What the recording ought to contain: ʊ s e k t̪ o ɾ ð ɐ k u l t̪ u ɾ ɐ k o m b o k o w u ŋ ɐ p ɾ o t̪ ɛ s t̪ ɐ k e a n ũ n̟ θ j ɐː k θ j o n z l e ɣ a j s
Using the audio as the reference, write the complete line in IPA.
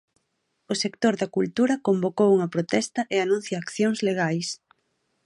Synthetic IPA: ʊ s e k t̪ o ɾ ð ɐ k u l t̪ u ɾ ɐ k o m b o k o w u ŋ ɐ p ɾ o t̪ ɛ s t̪ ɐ ʔ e a n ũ n̟ θ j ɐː k θ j o ŋ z l e ɣ a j s